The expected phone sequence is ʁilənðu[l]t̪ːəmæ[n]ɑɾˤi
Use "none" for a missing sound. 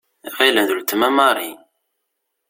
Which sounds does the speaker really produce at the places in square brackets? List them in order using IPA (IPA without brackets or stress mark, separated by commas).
l, m